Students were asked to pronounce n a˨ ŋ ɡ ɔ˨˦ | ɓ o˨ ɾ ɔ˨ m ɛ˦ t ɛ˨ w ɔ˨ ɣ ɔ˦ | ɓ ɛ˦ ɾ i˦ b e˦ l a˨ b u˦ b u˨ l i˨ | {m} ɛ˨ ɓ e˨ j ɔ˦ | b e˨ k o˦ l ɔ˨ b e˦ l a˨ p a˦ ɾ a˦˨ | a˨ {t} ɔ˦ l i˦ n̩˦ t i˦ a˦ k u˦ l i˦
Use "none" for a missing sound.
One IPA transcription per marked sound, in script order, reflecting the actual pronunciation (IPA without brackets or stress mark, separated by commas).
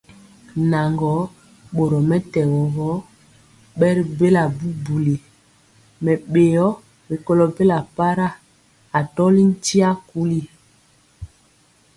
m, t